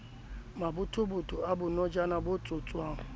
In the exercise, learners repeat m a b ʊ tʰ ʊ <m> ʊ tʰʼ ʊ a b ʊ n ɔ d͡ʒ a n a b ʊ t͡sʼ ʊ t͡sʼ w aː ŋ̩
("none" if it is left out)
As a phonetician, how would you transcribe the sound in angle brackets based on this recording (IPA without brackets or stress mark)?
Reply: b